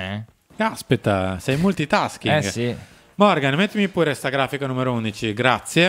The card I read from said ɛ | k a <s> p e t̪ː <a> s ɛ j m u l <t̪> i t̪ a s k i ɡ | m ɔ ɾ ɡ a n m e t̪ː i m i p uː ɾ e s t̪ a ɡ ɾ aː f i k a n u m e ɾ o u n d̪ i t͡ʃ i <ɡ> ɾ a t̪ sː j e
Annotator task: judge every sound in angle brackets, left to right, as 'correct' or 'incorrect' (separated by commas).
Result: correct, correct, correct, correct